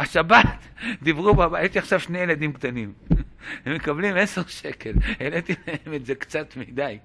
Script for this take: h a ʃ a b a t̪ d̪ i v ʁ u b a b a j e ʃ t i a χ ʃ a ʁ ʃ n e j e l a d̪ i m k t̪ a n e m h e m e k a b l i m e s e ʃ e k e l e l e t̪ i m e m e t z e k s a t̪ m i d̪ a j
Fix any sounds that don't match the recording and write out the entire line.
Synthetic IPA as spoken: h a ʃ a b a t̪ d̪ i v ʁ u b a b a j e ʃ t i a χ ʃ a v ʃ n e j e l a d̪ i m k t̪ a n i m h e m e k a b l i m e s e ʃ e k e l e l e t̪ i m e m e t z e k t͡s a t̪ m i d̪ a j